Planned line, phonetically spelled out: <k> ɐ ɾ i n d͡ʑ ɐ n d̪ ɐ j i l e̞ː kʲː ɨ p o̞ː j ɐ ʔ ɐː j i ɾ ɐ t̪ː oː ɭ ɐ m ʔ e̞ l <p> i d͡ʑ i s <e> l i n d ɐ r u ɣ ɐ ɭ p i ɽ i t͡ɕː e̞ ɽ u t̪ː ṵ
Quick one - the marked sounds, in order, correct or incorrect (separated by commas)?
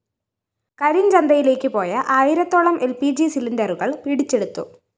correct, correct, incorrect